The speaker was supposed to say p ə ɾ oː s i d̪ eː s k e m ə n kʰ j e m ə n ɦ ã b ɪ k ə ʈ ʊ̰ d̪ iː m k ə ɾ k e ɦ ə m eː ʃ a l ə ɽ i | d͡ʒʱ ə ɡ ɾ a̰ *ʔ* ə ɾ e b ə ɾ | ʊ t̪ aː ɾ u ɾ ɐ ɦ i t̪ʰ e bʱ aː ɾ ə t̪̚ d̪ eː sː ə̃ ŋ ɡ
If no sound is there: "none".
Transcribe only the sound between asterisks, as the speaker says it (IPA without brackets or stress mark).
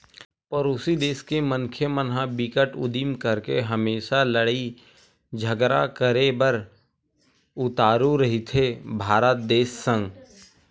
k